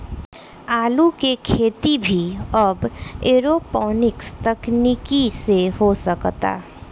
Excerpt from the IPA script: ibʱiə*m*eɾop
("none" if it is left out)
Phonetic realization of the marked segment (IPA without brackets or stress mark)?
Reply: b